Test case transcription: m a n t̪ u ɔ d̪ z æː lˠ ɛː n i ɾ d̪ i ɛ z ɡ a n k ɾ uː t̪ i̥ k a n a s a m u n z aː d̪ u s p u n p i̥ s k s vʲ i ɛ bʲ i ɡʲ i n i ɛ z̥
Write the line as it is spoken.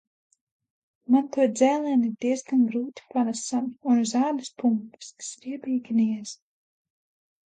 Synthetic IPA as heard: m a n t̪ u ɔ d̪ z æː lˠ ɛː n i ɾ d̪ i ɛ z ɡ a n ɡ ɾ uː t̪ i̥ p a n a s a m u n z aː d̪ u s p u m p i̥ s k s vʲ i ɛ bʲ iː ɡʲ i n i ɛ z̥